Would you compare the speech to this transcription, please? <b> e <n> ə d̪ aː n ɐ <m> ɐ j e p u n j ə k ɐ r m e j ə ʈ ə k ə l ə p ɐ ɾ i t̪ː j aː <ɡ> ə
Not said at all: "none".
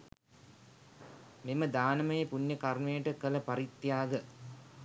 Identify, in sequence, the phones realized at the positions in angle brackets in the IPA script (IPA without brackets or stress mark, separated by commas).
m, m, m, ɡ